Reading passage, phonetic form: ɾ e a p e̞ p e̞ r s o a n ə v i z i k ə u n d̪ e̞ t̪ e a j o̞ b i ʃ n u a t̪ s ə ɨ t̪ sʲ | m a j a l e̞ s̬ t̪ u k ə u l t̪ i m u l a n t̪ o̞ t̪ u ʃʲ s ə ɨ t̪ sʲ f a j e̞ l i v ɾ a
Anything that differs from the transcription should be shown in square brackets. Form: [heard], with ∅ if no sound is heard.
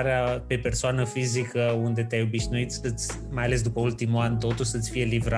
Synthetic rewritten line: ɾ e a p e̞ p e̞ r s o a n ə [f] i z i k ə u n d̪ e̞ t̪ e a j o̞ b i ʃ n u [i] t̪ s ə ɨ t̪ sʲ | m a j a l e̞ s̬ [d̪] u [p] ə u l t̪ i m u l a n t̪ o̞ t̪ u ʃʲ s ə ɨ t̪ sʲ f [i] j e̞ l i v ɾ a